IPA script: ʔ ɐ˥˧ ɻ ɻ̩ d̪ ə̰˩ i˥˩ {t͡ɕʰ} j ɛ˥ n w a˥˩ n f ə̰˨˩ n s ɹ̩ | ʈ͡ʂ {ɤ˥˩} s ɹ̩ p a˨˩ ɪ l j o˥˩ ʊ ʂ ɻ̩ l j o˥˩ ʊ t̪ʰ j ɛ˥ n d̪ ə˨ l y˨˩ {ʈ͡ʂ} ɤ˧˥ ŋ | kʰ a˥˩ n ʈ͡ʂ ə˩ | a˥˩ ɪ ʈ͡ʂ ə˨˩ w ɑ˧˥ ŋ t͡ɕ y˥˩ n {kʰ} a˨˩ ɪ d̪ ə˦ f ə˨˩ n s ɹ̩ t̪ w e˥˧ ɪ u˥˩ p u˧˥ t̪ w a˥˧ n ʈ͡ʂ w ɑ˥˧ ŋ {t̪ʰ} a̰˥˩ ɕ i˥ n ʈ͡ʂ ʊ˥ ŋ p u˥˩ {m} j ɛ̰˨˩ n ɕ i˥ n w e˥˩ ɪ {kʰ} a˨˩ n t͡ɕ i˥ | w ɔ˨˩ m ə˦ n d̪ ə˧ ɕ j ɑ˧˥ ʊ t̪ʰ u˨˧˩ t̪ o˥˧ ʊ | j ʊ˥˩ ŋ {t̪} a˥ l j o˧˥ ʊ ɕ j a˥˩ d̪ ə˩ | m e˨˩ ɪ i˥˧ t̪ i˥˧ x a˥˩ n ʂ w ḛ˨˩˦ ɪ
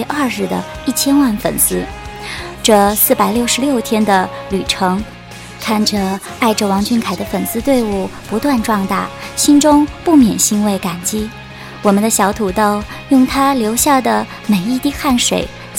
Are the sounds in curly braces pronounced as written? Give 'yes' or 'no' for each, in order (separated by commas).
yes, no, no, yes, no, yes, no, no